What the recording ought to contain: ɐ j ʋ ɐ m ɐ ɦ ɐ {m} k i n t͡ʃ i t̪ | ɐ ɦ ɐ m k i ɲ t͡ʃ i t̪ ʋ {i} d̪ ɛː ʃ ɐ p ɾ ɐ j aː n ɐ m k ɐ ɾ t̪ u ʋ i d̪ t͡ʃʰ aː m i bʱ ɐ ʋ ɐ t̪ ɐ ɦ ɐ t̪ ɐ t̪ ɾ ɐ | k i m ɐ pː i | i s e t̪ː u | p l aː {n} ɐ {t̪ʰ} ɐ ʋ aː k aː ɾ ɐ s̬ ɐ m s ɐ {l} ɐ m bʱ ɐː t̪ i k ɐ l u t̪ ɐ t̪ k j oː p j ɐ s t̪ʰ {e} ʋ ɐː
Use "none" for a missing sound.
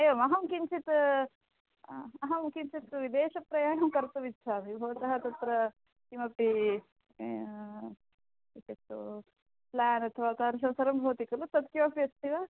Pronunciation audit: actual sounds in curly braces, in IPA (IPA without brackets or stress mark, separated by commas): m, i, n, t̪ʰ, ɾ, i